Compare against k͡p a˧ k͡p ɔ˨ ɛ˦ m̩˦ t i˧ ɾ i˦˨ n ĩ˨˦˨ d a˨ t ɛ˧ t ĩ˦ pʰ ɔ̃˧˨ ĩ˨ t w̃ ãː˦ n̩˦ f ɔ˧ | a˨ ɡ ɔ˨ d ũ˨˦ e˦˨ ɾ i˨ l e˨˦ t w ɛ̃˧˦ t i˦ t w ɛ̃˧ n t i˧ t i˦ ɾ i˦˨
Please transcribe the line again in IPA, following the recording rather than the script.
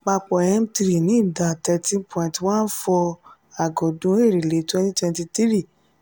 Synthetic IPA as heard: k͡p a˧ k͡p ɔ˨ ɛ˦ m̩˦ t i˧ ɾ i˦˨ n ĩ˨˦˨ d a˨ t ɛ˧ t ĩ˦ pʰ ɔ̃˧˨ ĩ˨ t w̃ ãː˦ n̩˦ f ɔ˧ | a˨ ɡ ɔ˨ d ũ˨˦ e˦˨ ɾ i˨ l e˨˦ t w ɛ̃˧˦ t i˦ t w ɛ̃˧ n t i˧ t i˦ ɾ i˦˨